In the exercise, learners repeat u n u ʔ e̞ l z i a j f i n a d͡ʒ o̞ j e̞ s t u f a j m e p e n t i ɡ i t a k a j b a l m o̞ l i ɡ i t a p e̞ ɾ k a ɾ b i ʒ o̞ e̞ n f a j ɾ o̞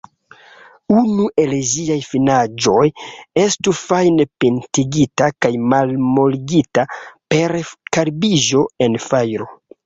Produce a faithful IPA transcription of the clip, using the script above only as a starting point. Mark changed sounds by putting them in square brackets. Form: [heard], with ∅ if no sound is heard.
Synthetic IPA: u n u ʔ e̞ l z i a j f i n a d͡ʒ o̞ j e̞ s t u f a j [n] e p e n t i ɡ i t a k a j [m] a l m o̞ l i ɡ i t a p e̞ ɾ k a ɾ b i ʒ o̞ e̞ n f a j ɾ o̞